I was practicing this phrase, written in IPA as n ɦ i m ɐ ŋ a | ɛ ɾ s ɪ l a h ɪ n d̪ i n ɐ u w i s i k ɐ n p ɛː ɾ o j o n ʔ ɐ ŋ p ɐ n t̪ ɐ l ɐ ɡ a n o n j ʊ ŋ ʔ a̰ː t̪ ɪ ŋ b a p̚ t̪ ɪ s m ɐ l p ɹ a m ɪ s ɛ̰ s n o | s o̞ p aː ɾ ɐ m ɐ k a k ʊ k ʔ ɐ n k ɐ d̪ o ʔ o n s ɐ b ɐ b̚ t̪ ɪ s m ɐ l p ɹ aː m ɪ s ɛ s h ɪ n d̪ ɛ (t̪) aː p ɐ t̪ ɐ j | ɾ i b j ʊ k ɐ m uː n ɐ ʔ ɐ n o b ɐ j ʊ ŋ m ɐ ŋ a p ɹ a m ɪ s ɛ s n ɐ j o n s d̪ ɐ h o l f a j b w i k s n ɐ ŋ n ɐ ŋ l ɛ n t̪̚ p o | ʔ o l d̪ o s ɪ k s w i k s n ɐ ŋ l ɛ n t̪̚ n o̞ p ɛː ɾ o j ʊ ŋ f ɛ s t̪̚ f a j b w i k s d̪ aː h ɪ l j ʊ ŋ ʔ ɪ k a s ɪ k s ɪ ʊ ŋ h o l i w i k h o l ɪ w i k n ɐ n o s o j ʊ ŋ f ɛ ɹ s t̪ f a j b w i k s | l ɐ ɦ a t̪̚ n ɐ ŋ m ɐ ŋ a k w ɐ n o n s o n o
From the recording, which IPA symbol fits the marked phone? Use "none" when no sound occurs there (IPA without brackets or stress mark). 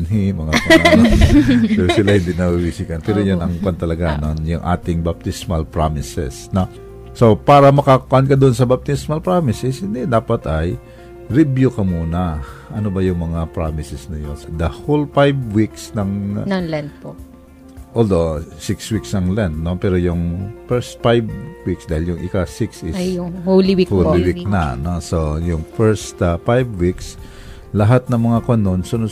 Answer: d̪